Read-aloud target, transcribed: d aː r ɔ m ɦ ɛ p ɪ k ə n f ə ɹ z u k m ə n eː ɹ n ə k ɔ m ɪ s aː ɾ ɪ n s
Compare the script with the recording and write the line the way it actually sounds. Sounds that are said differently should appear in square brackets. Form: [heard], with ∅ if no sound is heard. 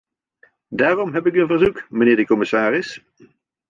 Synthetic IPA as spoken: d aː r ɔ m ɦ ɛ p ɪ k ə n [v] ə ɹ z u k m ə n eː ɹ [d] ə k ɔ m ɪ s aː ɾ ɪ [∅] s